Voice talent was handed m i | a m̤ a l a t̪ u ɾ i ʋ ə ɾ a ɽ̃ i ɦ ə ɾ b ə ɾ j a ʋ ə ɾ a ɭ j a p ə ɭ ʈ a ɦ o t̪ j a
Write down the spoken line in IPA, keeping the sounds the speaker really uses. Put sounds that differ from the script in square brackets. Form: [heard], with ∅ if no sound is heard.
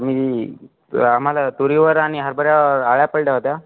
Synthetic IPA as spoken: m i | a m̤ a l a t̪ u ɾ i ʋ ə ɾ a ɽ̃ i ɦ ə ɾ b ə ɾ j a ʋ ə ɾ a ɭ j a p ə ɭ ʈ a ɦ o t̪ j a